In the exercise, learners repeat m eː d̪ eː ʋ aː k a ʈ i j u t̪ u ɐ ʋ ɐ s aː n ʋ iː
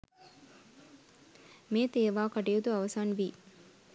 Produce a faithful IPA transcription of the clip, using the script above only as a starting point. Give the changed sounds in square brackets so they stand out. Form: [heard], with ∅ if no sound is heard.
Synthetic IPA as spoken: m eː [t̪] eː ʋ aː k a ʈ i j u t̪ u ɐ ʋ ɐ s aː n ʋ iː